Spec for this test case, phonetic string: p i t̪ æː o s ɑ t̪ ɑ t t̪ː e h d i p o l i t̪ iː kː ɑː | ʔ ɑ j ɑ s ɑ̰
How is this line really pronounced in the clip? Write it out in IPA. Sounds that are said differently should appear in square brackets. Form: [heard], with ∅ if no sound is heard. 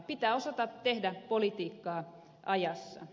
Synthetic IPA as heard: p i t̪ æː o s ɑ t̪ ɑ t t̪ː e h d [æ] p o l i t̪ iː kː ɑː | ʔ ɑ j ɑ [sː] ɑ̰